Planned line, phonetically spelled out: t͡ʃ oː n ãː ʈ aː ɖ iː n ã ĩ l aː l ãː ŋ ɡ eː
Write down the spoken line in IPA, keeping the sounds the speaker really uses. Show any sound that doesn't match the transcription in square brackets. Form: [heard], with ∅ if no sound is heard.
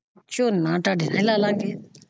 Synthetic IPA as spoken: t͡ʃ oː n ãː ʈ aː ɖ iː n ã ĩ l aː l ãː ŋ ɡ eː

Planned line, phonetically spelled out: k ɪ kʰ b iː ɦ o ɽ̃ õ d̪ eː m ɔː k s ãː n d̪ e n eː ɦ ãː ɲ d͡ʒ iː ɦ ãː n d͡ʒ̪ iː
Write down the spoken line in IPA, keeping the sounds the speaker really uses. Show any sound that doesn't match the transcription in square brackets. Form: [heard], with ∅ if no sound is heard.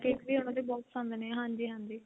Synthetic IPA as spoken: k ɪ [k] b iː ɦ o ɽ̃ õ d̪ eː [b] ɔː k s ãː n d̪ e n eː ɦ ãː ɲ d͡ʒ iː ɦ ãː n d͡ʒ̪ iː

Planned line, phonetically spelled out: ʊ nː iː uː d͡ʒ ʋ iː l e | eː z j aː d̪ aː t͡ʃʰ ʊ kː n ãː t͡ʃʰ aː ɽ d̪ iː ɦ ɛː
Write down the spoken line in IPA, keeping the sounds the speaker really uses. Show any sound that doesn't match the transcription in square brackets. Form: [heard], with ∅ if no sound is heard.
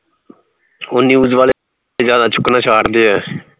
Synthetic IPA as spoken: ʊ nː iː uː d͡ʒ ʋ [aː] l e | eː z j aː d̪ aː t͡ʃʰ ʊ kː n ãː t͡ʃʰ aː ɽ d̪ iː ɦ ɛː

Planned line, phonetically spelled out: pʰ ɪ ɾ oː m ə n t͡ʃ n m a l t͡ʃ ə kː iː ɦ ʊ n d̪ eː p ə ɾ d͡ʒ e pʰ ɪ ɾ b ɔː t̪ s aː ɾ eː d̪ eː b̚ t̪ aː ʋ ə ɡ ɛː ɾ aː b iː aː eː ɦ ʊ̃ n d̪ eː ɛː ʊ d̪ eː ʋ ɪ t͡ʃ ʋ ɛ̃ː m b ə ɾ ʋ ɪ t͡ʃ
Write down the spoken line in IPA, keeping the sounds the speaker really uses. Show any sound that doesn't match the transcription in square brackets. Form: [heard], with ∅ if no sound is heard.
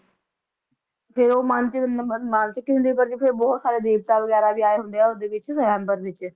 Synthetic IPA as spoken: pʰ ɪ ɾ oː m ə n t͡ʃ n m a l t͡ʃ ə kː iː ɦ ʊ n d̪ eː p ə ɾ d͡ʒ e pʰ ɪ ɾ b ɔː t̪ s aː ɾ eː d̪ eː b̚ t̪ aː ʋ ə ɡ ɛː ɾ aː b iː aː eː ɦ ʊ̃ n d̪ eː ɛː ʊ d̪ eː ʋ ɪ t͡ʃ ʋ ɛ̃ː m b ə ɾ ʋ ɪ t͡ʃ

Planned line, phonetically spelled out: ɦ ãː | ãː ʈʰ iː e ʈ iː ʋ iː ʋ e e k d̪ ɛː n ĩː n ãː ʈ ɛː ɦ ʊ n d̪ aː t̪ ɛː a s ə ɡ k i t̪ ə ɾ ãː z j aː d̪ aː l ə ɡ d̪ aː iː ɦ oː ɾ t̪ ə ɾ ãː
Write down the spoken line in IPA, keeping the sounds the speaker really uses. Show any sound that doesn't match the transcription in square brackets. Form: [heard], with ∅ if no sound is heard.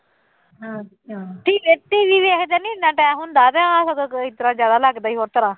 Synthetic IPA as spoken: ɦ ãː | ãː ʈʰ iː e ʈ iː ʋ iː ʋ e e k d̪ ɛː n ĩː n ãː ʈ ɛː ɦ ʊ n d̪ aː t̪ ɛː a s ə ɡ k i t̪ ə ɾ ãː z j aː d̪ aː l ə ɡ d̪ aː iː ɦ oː ɾ t̪ ə ɾ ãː

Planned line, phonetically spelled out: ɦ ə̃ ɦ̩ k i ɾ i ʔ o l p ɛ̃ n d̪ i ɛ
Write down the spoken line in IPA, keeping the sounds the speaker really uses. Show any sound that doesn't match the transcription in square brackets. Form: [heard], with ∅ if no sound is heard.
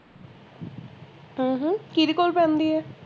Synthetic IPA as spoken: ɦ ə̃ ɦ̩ k i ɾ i [k] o l p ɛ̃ n d̪ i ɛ

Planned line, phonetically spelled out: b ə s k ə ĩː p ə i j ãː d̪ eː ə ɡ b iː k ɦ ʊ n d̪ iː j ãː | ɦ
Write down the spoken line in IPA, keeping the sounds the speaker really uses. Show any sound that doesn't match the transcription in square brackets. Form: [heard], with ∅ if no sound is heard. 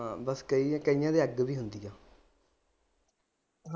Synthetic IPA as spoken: b ə s k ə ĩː [k] ə i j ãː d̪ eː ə ɡ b iː [∅] ɦ ʊ n d̪ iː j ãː | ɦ

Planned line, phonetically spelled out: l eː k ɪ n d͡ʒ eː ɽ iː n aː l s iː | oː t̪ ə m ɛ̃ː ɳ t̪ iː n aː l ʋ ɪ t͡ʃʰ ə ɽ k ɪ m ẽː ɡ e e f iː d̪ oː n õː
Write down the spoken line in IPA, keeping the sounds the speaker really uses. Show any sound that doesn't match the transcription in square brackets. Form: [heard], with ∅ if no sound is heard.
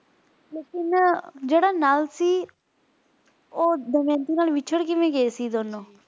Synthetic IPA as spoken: l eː k ɪ n d͡ʒ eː ɽ [aː] n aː l s iː | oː [d̪] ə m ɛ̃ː [n] t̪ iː n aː l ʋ ɪ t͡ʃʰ ə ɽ k ɪ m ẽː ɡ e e [s] iː d̪ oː n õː

